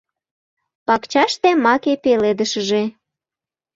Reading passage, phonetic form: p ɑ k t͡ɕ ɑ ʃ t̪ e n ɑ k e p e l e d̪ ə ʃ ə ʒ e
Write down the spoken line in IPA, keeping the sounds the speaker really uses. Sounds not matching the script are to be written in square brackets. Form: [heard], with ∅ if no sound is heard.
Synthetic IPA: p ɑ k t͡ɕ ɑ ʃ t̪ e [m] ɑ k e p e l e d̪ ə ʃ ə ʒ e